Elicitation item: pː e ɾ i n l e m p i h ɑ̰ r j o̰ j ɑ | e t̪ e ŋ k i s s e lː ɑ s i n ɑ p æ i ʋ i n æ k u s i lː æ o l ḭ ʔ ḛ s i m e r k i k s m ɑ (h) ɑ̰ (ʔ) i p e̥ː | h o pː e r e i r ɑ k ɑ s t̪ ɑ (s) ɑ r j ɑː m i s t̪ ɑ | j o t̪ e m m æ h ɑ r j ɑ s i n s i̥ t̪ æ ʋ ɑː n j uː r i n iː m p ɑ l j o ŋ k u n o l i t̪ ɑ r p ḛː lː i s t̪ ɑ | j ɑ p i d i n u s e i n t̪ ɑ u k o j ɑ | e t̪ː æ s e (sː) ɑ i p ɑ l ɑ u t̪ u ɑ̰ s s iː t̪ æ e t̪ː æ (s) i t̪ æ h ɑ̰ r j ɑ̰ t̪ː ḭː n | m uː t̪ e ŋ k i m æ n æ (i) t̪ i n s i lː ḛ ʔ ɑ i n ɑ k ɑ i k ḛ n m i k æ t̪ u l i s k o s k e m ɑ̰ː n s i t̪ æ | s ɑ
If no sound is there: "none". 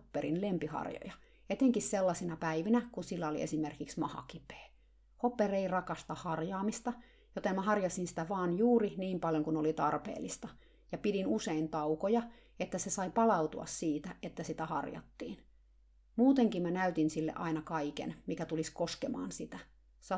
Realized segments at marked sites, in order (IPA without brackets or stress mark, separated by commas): h, k, h, s, s, y